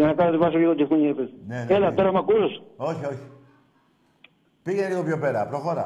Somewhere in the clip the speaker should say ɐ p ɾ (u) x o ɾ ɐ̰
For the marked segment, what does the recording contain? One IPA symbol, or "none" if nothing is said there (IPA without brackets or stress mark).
o